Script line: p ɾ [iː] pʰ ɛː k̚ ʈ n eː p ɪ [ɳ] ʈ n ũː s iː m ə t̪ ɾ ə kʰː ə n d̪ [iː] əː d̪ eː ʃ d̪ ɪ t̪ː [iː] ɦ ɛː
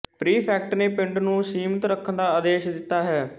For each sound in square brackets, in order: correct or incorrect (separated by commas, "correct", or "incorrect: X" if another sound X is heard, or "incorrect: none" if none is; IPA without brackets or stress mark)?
correct, correct, incorrect: aː, incorrect: aː